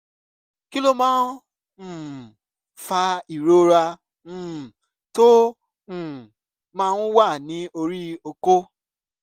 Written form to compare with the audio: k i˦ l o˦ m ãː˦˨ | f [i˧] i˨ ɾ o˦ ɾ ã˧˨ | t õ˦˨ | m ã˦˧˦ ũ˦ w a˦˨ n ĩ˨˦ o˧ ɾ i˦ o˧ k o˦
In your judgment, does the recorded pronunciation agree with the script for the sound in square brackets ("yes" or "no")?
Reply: no